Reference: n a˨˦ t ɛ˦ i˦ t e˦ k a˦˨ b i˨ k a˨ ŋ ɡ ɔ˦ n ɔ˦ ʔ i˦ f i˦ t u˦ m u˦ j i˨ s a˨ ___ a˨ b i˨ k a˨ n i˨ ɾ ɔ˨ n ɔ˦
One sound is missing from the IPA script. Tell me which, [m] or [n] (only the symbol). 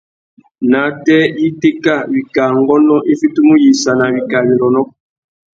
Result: n